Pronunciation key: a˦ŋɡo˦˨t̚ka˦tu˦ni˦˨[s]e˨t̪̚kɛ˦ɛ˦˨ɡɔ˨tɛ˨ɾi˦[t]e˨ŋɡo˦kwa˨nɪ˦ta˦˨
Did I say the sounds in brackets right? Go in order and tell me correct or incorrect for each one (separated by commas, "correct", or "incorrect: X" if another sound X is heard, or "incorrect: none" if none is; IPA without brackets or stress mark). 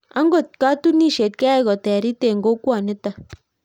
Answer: incorrect: ʃ, correct